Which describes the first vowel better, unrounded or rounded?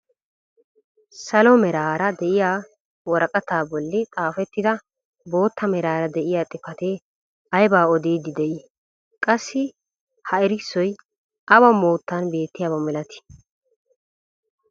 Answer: unrounded